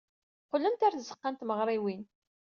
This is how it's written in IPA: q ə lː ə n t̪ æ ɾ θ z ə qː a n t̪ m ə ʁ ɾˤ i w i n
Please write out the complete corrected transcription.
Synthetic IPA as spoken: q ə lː ə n t̪ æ ɾ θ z ə qː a n t̪ m ə ʁ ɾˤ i w i n